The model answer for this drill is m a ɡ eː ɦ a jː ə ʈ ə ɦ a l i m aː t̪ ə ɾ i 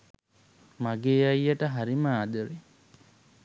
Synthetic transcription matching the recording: m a ɡ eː a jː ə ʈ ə ɦ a ɾ i m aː d̪ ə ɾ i

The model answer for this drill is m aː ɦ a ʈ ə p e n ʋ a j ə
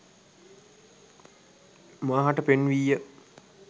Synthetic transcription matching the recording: m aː ɦ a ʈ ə p e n ʋ i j ə

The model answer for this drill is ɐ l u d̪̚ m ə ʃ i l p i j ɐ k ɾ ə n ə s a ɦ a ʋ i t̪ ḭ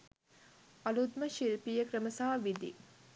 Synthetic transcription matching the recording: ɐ l u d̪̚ m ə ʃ i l p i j ə k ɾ ə m ə s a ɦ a ʋ i d̪ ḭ

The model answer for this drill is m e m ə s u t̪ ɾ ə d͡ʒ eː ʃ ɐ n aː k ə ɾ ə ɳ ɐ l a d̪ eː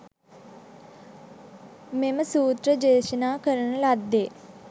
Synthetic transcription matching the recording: m e m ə s uː t̪ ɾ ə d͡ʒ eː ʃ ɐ n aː k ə ɾ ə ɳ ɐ l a d̪ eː

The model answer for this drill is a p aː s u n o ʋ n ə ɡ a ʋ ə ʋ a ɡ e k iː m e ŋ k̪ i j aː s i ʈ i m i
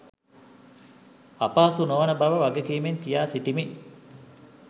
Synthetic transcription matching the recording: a p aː s u n o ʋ n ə b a ʋ ə ʋ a ɡ e k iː m e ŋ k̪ i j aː s i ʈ i m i

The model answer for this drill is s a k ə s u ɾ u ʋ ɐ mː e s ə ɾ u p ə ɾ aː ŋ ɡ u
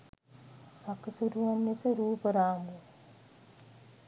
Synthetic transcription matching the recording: s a k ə s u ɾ u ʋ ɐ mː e s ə ɾ uː p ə ɾ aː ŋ ɡ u

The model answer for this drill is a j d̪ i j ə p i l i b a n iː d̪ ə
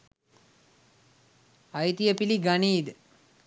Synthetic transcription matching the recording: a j t̪ i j ə p i l i ɡ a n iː d̪ ə

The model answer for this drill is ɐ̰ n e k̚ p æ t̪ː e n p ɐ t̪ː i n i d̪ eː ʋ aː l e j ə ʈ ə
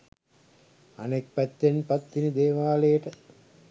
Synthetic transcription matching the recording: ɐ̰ n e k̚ p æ t̪ː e n p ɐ t̪ː i n i d̪ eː ʋ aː l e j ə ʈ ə

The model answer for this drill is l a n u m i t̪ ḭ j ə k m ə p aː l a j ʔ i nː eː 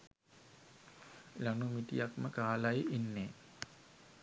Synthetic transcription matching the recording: l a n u m i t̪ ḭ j a k m ə k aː l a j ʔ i nː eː

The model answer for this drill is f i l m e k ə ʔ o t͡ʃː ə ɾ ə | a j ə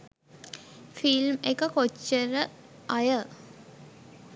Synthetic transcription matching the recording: f i l m e k ə k o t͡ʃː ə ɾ ə | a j ə

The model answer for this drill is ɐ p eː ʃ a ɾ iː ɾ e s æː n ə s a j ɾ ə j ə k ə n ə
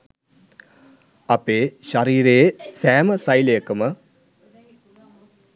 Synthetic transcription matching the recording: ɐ p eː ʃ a ɾ iː ɾ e s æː m ə s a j l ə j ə k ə m ə

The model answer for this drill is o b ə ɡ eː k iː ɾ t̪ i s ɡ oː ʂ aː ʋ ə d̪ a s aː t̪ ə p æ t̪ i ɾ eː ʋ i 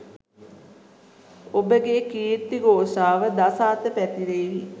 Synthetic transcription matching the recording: o b ə ɡ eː k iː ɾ t̪ i ɡ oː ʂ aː ʋ ə d̪ a s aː t̪ ə p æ t̪ i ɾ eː ʋ i

